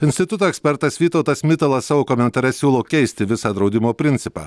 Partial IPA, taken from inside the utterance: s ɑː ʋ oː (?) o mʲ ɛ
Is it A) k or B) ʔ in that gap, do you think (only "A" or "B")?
A